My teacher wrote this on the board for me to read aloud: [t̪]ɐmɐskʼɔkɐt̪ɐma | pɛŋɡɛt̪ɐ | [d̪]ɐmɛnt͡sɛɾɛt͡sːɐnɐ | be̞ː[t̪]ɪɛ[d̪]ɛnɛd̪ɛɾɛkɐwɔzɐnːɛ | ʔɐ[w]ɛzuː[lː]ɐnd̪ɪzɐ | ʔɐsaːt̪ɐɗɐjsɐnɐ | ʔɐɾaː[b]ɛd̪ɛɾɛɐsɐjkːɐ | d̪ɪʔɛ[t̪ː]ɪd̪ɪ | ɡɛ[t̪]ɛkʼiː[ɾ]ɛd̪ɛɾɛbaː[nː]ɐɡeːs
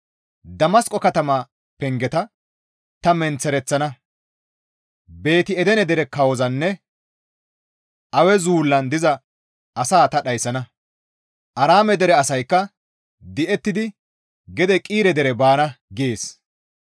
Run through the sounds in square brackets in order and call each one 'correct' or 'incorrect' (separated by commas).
incorrect, incorrect, correct, correct, correct, correct, incorrect, correct, incorrect, correct, incorrect